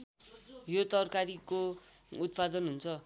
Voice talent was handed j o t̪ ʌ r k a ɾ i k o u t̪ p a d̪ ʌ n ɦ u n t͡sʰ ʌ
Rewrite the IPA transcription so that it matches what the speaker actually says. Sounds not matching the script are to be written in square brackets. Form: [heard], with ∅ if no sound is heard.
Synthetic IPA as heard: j o t̪ ʌ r k a ɾ i k o u t̪ p a d̪ ʌ n ɦ u n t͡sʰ ʌ